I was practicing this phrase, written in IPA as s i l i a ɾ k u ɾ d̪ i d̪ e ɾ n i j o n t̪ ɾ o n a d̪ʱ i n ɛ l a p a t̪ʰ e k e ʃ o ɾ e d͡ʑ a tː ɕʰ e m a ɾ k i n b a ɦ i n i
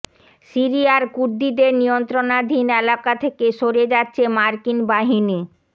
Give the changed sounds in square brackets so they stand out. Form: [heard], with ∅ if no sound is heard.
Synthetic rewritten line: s i [ɾ] i a ɾ k u ɾ d̪ i d̪ e ɾ n i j o n t̪ ɾ o n a d̪ʱ i n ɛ l a [k] a t̪ʰ e k e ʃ o ɾ e d͡ʑ a tː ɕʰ e m a ɾ k i n b a ɦ i n i